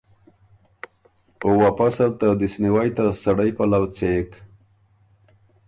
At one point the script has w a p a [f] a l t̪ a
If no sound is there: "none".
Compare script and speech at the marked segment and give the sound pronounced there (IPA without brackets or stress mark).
s